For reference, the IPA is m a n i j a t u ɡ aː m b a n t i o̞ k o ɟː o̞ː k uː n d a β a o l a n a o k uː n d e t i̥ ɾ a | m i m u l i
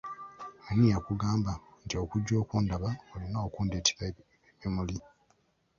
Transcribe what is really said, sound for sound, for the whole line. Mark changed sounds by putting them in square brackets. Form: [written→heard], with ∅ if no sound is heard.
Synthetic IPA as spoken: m a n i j a [t→k] u ɡ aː m b a n t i o̞ k [o→u] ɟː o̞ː k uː n d a β a o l [a→i] n a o k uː n d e t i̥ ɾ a | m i m u l i